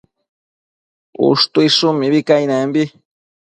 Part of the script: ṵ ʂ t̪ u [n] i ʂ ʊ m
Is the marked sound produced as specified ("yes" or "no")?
no